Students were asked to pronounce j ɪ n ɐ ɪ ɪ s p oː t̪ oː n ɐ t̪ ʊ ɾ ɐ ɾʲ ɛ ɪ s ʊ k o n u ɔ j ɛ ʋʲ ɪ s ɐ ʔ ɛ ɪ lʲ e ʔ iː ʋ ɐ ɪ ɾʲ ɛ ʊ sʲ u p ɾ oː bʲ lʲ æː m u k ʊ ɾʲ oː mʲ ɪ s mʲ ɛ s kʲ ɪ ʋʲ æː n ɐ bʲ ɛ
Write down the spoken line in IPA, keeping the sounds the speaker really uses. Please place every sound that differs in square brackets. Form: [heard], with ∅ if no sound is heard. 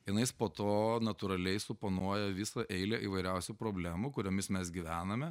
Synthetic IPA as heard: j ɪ n ɐ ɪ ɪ s p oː t̪ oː n ɐ t̪ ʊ ɾ ɐ [lʲ] ɛ ɪ s ʊ [p] o n u ɔ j ɛ ʋʲ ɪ s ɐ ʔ ɛ ɪ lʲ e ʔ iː ʋ ɐ ɪ ɾʲ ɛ ʊ sʲ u p ɾ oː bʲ lʲ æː m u k ʊ ɾʲ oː mʲ ɪ s mʲ ɛ s [ɡʲ] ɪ ʋʲ æː n ɐ [mʲ] ɛ